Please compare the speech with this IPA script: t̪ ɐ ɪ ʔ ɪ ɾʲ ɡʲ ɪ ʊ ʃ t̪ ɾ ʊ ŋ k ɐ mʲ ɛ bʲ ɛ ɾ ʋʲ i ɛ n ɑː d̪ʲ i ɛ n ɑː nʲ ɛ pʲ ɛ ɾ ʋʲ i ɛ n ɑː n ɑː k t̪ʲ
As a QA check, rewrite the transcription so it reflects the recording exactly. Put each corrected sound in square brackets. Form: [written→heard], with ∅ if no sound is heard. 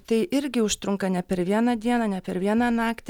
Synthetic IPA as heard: t̪ ɐ ɪ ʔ ɪ ɾʲ ɡʲ ɪ ʊ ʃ t̪ ɾ ʊ ŋ k ɐ [mʲ→nʲ] ɛ [bʲ→pʲ] ɛ ɾ ʋʲ i ɛ n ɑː d̪ʲ i ɛ n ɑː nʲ ɛ pʲ ɛ ɾ ʋʲ i ɛ n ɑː n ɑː k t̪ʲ